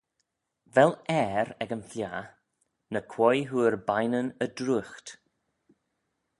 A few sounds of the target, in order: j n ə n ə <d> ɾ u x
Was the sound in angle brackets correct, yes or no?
yes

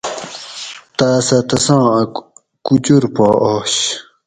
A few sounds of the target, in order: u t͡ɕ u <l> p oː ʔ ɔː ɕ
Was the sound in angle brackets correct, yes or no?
no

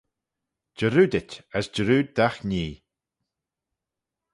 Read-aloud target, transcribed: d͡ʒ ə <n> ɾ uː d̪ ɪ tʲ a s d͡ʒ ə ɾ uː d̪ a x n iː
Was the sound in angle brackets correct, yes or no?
no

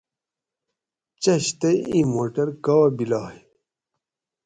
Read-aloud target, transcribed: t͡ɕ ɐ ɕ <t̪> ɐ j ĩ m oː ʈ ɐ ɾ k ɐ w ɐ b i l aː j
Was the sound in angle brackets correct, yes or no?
yes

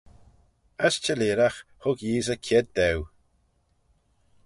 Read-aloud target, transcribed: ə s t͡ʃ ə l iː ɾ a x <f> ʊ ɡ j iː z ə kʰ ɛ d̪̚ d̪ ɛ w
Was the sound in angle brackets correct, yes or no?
no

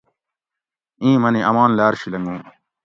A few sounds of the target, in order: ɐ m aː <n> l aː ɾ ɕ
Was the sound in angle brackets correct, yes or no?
yes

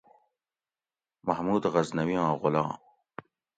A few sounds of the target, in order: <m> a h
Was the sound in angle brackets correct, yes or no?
yes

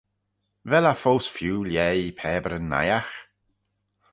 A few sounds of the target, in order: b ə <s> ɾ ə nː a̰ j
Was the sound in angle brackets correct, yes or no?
no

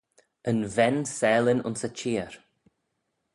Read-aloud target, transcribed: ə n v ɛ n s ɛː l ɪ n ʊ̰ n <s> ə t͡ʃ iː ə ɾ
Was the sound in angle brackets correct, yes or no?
yes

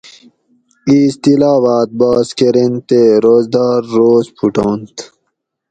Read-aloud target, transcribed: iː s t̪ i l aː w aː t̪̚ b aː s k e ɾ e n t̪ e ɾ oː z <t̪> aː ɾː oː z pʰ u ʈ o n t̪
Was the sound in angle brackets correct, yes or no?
no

